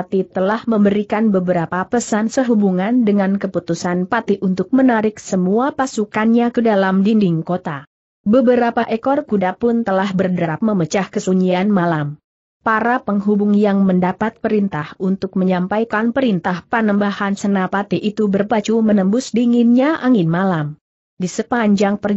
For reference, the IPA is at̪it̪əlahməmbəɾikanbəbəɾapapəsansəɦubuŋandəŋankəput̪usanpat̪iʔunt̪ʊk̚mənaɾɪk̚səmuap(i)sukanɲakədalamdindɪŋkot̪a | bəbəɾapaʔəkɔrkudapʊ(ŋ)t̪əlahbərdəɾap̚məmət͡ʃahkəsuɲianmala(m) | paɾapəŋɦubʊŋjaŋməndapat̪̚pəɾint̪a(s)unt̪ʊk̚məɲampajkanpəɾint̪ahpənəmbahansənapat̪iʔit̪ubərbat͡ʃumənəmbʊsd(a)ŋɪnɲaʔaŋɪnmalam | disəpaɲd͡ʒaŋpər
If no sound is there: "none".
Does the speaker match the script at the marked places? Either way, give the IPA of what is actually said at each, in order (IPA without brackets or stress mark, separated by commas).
a, n, m, h, i